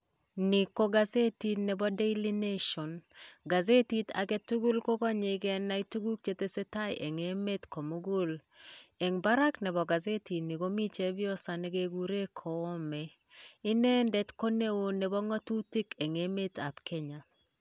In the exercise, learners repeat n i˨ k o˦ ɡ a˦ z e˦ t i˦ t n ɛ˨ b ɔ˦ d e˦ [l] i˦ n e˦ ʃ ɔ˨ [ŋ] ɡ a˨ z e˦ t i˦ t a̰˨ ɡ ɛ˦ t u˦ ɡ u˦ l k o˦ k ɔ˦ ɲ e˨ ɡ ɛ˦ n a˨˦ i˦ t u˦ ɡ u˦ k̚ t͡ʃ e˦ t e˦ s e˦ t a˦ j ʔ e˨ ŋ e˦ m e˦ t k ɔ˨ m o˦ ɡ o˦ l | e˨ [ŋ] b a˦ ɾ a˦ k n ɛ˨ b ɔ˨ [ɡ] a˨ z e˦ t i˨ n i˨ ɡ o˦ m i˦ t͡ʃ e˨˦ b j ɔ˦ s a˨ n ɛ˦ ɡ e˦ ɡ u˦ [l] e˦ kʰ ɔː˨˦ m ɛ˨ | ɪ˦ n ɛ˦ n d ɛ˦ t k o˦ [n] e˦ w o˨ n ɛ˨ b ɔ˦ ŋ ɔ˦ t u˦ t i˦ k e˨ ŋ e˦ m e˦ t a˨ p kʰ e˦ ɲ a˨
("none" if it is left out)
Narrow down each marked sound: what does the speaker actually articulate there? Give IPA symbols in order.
l, n, ŋ, ɡ, ɾ, n

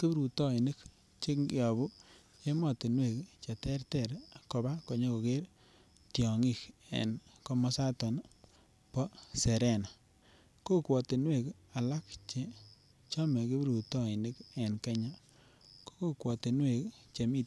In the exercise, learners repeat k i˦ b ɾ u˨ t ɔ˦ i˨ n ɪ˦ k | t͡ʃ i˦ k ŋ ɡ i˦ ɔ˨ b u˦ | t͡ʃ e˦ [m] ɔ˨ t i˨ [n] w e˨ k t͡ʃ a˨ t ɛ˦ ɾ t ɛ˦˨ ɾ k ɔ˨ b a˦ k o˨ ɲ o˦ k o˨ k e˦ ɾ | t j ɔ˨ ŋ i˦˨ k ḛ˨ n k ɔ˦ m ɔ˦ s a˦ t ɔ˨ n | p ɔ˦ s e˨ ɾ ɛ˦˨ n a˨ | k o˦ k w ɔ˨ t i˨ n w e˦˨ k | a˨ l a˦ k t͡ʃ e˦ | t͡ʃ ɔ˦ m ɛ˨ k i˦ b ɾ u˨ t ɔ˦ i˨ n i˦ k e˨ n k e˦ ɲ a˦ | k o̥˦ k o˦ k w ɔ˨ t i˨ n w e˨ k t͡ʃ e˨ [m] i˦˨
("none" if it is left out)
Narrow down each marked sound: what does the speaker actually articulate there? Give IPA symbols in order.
m, n, m

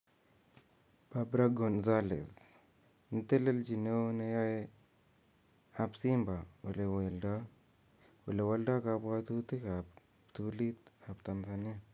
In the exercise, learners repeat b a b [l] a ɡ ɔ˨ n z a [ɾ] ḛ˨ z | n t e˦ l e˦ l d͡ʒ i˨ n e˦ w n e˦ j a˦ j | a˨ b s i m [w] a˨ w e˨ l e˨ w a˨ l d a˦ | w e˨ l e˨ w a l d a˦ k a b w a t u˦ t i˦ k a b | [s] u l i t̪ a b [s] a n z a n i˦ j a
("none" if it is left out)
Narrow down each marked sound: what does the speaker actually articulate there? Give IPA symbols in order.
ɾ, l, b, t, t

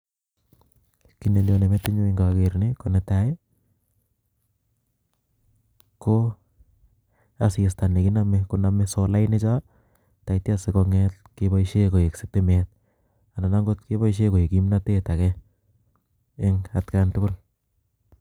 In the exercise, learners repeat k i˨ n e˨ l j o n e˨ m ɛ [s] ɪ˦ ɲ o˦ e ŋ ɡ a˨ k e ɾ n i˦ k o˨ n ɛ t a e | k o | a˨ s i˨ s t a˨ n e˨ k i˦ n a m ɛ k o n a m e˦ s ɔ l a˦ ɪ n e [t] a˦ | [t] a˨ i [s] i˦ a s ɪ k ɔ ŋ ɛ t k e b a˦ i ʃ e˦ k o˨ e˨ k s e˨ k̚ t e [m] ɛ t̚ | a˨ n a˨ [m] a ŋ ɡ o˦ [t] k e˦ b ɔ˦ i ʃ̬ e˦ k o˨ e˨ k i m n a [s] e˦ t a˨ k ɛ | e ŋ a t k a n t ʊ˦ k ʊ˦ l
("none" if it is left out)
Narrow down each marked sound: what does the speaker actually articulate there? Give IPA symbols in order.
t, t͡ʃ, t, t, m, n, t, t

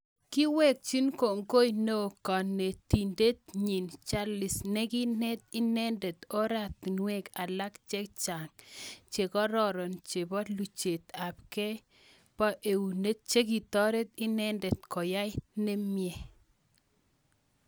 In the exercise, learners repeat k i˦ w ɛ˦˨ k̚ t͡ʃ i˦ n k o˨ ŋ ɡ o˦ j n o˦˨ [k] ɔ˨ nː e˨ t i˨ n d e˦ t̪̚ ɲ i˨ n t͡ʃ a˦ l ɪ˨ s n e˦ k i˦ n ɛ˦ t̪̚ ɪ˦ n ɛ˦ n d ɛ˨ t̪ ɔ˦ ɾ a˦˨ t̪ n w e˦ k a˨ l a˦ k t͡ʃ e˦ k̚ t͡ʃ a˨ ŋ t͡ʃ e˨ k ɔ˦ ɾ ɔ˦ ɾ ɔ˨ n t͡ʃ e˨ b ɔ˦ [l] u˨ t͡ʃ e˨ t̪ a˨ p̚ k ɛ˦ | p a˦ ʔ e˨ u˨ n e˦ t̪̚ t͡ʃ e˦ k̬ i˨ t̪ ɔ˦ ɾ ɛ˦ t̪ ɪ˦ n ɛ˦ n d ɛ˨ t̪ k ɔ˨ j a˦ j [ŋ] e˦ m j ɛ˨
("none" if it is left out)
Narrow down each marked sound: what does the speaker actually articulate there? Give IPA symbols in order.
k, l, n

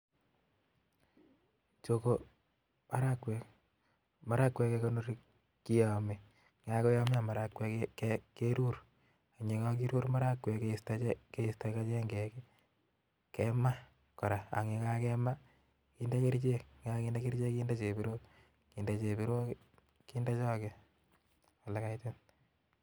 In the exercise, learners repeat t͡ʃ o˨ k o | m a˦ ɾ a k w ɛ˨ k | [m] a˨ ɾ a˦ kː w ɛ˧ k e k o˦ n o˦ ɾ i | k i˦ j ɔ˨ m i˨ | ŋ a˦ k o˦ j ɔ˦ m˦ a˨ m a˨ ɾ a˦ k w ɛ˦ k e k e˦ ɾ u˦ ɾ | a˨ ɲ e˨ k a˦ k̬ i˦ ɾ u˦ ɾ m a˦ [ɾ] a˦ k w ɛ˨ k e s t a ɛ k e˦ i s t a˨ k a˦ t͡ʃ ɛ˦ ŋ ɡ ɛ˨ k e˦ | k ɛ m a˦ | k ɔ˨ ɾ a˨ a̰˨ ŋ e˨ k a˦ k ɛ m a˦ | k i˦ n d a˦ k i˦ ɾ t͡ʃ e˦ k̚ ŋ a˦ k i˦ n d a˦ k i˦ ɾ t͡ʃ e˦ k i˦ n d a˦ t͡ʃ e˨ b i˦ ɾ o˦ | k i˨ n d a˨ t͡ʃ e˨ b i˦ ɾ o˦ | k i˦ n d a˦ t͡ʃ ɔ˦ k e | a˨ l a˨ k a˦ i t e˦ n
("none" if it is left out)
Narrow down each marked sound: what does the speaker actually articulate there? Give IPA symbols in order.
m, ɾ

